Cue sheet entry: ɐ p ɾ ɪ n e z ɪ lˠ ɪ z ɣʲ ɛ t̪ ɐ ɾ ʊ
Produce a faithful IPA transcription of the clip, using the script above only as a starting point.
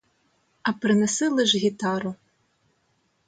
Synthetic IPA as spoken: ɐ p ɾ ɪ n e s ɪ lˠ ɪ ʒ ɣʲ i t̪ ɑ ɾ ʊ